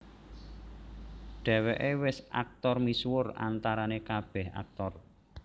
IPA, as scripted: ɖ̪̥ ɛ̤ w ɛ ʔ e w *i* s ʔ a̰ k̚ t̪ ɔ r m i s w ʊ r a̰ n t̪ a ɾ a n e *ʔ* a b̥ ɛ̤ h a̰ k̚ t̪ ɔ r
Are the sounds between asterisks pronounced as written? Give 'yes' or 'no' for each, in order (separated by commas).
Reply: no, no